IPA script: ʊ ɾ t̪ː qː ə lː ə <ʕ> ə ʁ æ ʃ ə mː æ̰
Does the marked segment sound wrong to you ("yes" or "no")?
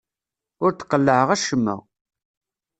no